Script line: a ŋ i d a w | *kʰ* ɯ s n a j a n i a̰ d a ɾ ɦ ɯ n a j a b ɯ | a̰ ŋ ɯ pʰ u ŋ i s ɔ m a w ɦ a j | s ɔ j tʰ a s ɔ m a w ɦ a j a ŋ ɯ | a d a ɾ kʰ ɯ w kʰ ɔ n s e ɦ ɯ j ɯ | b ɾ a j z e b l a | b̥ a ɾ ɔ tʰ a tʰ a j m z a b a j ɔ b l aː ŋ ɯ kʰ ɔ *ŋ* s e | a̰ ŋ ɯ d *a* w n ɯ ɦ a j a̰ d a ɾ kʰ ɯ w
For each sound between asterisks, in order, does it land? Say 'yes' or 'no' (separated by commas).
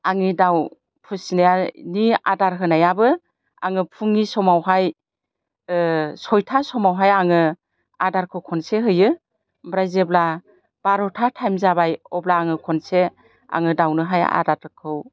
no, no, yes